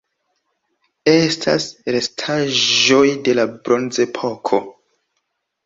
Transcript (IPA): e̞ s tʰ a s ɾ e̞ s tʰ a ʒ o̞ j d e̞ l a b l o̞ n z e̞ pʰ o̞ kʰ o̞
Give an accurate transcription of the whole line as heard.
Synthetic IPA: e̞ s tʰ a s ɾ e̞ s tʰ a ʒ o̞ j d e̞ l a b ɾ o̞ n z e̞ pʰ o̞ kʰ o̞